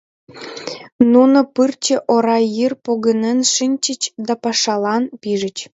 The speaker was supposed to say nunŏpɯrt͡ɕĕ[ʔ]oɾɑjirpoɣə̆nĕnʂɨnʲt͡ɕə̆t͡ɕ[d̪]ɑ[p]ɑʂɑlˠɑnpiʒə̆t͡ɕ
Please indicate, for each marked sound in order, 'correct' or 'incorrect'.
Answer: correct, correct, correct

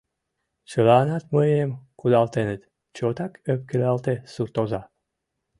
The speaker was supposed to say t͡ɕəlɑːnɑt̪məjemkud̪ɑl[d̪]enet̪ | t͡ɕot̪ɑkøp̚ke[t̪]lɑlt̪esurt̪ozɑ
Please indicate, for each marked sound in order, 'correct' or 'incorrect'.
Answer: incorrect: t̪, incorrect: none

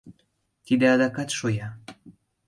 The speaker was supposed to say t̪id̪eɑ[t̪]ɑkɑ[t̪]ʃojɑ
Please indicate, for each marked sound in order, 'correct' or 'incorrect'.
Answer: incorrect: d̪, correct

